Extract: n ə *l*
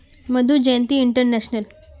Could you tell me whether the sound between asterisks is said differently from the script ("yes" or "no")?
no